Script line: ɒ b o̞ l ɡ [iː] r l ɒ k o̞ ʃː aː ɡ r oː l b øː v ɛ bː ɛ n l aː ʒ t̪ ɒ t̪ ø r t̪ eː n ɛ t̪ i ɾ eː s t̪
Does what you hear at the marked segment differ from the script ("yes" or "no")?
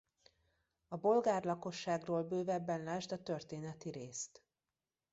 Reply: yes